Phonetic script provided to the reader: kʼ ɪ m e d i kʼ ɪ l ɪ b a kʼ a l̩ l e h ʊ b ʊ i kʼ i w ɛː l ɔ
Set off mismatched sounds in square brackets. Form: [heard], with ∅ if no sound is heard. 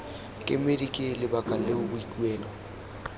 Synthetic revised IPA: kʼ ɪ m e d i kʼ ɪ l ɪ b a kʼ a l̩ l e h ʊ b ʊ i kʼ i w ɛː l ɔ